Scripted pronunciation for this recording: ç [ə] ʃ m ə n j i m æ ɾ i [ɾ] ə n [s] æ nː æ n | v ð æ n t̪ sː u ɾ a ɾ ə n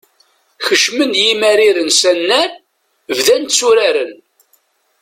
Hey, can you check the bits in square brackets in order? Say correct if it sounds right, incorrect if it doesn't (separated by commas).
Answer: correct, correct, correct